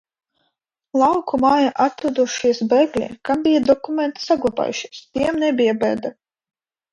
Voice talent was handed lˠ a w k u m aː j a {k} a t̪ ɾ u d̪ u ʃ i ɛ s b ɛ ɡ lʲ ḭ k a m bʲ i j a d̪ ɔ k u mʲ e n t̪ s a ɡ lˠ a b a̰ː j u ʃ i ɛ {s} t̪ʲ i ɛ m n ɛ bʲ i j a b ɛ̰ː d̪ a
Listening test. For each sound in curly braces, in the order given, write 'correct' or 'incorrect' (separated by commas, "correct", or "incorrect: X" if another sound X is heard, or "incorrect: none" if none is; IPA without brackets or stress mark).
incorrect: ʔ, correct